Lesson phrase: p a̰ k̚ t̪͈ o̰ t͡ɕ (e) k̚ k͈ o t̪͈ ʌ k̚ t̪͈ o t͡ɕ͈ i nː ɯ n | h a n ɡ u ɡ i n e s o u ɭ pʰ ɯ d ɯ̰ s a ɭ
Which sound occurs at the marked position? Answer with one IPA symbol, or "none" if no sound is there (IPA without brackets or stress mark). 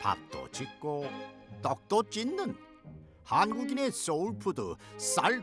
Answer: i